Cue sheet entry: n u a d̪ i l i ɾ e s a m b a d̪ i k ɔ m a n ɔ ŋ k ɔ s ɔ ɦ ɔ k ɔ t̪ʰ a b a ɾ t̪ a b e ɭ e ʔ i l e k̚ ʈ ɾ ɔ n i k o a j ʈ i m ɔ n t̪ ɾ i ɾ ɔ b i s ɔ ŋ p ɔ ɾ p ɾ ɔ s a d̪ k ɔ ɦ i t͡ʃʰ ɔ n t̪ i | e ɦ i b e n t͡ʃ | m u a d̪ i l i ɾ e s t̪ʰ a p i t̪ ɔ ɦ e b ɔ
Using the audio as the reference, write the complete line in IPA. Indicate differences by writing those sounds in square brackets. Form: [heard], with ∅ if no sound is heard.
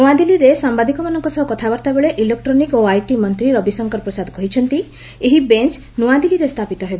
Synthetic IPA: n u a d̪ i l i ɾ e s a m b a d̪ i k ɔ m a n ɔ ŋ k ɔ s ɔ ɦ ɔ k ɔ t̪ʰ a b a ɾ t̪ a b e ɭ e ʔ i l e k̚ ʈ ɾ ɔ n i k o a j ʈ i m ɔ n t̪ ɾ i ɾ ɔ b i s ɔ ŋ [k] ɔ ɾ p ɾ ɔ s a d̪ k ɔ ɦ i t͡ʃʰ ɔ n t̪ i | e ɦ i b e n t͡ʃ | [n] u a d̪ i l i ɾ e s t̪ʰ a p i t̪ ɔ ɦ e b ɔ